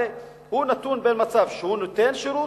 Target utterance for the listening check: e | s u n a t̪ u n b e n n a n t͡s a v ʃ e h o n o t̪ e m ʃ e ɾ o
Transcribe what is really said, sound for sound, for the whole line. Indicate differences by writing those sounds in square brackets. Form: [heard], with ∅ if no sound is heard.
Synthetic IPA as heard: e | [h] u n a t̪ u n b e n [m] a [∅] t͡s a v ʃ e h [u] n o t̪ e [n] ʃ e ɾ [u]